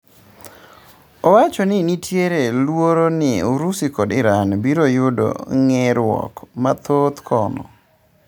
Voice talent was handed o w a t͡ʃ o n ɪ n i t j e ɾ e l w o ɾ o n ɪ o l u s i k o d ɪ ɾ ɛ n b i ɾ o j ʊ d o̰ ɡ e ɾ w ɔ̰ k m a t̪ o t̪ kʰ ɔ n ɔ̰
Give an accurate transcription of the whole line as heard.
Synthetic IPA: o w a t͡ʃ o n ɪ n i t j e ɾ e l w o ɾ o n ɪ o ɾ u s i k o d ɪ ɾ a n b i ɾ o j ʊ d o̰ ŋ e ɾ w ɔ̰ k m a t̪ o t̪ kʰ ɔ n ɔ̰